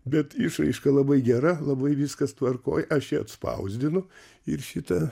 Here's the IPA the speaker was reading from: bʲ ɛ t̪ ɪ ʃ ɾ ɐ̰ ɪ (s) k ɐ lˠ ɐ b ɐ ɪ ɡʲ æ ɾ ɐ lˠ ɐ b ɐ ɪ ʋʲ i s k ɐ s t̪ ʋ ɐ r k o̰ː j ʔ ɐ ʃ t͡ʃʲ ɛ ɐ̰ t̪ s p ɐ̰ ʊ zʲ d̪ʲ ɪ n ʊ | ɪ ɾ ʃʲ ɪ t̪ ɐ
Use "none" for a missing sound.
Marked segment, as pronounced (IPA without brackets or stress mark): ʃ